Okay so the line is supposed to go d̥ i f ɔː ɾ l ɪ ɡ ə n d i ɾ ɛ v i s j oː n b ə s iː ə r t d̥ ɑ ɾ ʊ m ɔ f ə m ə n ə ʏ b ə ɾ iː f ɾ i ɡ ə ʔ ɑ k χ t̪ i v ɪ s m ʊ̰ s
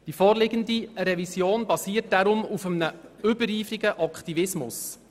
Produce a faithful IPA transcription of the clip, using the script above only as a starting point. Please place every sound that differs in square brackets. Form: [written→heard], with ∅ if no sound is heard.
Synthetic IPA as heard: d̥ i f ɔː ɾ l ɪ ɡ ə n d i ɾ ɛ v i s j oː n b [ə→ɑ] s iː ə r t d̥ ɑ ɾ ʊ m [ɔ→u] f ə m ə n ə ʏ b ə ɾ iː f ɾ i ɡ ə ʔ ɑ k χ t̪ i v ɪ s m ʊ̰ s